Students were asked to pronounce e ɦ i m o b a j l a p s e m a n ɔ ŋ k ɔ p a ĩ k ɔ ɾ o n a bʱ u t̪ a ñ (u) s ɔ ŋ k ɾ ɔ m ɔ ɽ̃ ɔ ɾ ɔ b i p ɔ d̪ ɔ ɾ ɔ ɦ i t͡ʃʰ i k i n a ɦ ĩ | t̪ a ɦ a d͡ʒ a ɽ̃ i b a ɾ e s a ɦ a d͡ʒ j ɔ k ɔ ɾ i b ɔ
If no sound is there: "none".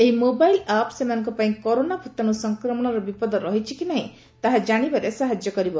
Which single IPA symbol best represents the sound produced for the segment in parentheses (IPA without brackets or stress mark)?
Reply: u